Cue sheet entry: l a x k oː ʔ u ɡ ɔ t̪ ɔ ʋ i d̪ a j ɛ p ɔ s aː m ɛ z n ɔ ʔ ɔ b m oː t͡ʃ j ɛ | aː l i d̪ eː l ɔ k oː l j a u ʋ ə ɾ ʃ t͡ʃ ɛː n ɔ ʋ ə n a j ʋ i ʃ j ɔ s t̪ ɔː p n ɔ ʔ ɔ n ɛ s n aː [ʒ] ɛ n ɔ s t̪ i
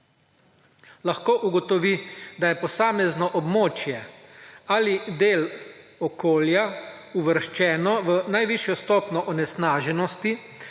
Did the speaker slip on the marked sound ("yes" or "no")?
no